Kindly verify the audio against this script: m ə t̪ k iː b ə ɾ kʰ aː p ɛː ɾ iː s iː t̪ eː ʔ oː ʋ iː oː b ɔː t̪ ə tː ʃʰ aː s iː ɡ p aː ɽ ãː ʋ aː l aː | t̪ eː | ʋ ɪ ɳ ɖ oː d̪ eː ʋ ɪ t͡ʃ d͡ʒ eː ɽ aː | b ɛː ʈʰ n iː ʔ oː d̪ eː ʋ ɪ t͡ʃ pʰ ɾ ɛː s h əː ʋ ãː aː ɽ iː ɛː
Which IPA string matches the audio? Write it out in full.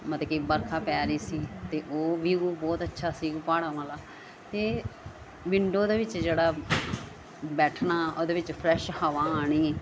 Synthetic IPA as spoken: m ə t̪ k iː b ə ɾ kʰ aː p ɛː ɾ iː s iː t̪ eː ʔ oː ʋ iː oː b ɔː t̪ ə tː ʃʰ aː s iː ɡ p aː ɽ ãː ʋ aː l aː | t̪ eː | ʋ ɪ ɳ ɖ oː d̪ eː ʋ ɪ t͡ʃ d͡ʒ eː ɽ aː | b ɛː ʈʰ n aː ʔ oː d̪ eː ʋ ɪ t͡ʃ pʰ ɾ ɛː ʃ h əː ʋ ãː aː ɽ iː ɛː